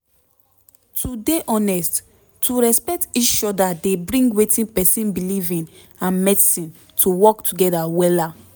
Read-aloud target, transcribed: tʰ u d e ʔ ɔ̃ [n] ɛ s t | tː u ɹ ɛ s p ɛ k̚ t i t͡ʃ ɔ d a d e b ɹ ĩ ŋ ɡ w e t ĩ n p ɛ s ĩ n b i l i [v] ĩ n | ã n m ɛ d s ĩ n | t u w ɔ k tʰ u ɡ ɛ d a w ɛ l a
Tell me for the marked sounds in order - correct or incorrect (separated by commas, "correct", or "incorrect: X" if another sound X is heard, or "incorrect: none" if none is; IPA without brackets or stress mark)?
correct, correct